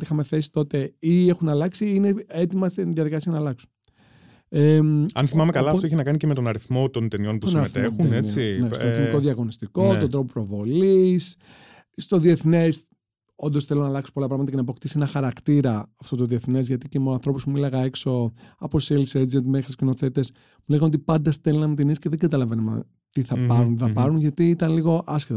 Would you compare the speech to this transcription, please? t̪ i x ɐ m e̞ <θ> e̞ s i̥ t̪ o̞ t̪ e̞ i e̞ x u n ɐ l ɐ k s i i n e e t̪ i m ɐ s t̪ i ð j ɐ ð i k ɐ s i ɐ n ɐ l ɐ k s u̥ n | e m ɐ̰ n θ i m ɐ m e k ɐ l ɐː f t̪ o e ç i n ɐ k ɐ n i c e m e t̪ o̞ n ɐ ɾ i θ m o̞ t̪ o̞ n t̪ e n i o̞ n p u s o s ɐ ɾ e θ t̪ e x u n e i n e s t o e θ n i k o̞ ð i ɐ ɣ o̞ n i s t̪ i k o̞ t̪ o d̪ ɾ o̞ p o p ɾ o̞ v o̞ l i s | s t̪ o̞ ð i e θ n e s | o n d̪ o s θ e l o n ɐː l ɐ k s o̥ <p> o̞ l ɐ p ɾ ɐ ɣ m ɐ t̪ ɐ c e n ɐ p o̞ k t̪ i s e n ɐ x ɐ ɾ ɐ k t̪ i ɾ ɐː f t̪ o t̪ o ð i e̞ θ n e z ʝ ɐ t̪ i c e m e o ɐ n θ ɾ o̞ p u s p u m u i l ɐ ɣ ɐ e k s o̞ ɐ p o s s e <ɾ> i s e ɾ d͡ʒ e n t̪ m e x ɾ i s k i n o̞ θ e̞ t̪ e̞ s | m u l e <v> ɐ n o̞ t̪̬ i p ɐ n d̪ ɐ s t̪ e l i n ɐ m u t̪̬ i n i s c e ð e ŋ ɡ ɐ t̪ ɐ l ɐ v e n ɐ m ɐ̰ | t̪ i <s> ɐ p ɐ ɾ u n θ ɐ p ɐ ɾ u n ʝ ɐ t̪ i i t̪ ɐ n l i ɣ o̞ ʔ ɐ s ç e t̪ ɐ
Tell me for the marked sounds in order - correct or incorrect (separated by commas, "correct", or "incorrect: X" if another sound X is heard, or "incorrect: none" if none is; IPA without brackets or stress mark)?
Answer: correct, correct, incorrect: l, incorrect: ɣ, incorrect: θ